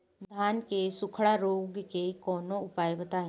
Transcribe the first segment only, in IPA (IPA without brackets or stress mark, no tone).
d̪ʱ